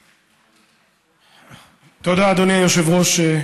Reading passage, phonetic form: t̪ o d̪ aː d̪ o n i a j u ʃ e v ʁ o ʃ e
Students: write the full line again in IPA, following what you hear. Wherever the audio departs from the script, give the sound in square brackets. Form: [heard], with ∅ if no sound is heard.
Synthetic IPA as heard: t̪ o d̪ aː d̪ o n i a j [o] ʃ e v ʁ o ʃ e